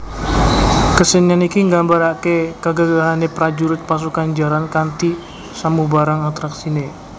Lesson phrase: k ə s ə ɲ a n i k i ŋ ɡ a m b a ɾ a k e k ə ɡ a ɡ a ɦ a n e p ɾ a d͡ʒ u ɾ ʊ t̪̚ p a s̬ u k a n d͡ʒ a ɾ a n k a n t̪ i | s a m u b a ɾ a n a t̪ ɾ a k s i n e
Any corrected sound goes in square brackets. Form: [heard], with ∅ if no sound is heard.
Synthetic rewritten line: k ə s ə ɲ a n i k i ŋ ɡ a m b a ɾ a k e k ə ɡ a ɡ a ɦ a n e p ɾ a d͡ʒ u ɾ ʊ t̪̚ p a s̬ u k a n d͡ʒ a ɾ a n k a n t̪ i | s a m u b a ɾ a [ŋ] a t̪ ɾ a k s i n e